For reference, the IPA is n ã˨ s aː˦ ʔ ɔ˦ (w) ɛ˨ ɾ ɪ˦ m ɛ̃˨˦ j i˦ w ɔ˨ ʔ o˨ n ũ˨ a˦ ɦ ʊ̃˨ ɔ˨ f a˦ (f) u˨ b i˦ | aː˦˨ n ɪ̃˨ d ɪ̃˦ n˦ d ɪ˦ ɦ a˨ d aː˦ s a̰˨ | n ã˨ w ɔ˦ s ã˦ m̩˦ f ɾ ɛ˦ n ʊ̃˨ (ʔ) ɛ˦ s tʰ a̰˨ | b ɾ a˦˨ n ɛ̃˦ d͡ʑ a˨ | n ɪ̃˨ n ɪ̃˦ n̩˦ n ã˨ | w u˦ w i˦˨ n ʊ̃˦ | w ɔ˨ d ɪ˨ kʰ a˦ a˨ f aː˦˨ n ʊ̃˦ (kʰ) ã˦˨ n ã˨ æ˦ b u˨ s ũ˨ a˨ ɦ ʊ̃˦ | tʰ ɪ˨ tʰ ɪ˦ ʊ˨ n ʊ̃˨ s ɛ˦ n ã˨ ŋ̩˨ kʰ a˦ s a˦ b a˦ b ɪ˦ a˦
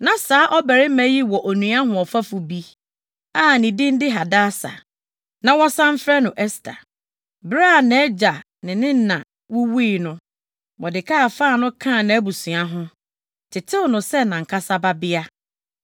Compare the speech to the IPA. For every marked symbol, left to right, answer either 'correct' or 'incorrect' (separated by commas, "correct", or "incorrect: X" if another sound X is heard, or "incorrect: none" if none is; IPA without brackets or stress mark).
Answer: incorrect: b, correct, correct, correct